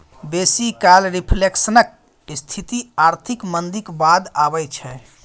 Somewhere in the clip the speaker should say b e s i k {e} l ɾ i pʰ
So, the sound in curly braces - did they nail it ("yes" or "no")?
no